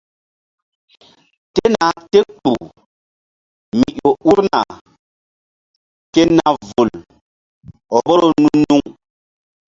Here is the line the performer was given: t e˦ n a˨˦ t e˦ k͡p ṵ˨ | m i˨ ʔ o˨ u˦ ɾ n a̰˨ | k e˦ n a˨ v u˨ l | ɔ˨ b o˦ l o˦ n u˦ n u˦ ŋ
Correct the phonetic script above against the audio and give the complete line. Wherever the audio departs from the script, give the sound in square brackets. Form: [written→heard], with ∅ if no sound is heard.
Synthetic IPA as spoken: t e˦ n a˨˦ t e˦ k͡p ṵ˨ | m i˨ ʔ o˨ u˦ ɾ n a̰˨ | k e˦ n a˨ v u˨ l | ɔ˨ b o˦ [l→ɾ] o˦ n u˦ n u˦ ŋ